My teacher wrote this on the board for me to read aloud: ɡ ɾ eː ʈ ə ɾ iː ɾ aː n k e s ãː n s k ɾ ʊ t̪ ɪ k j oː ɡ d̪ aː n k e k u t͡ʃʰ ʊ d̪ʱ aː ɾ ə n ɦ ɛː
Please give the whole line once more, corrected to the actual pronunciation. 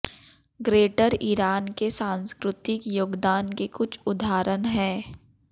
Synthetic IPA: ɡ ɾ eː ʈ ə ɾ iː ɾ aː n k e s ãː n s k ɾ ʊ t̪ ɪ k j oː ɡ d̪ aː n k e k ʊ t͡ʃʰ ʊ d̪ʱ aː ɾ ə n ɦ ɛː